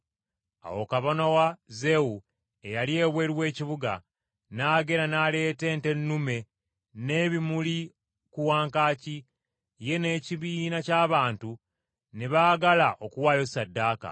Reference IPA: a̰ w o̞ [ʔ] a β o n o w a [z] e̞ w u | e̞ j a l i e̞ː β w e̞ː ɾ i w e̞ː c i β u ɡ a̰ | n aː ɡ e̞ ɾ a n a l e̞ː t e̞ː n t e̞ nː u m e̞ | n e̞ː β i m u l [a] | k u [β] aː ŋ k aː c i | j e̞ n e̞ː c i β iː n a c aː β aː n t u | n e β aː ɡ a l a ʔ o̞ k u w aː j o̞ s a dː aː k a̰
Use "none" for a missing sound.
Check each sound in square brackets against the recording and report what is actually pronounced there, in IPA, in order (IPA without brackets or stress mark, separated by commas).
k, z, i, w